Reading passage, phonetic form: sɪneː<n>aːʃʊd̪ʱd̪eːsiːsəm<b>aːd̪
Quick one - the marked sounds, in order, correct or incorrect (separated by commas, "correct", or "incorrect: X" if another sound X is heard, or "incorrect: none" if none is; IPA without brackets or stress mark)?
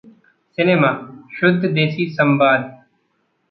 incorrect: m, correct